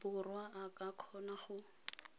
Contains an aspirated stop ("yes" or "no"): yes